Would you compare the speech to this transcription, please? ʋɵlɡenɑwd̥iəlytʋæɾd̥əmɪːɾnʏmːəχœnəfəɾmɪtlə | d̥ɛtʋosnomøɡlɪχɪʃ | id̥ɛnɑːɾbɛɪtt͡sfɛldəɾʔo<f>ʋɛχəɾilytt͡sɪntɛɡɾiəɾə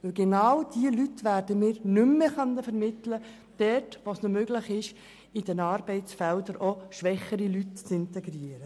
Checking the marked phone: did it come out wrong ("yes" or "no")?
yes